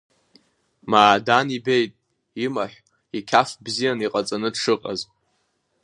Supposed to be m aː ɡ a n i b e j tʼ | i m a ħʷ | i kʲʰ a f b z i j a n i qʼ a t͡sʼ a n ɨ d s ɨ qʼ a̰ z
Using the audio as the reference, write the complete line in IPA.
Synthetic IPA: m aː d a n i b e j tʼ | i m a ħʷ | i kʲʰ a f b z i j a n i qʼ a t͡sʼ a n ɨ d ʂ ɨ qʼ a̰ z